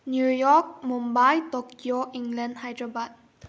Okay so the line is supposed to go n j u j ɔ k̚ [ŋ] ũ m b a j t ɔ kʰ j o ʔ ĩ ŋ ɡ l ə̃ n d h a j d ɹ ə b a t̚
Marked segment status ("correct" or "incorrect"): incorrect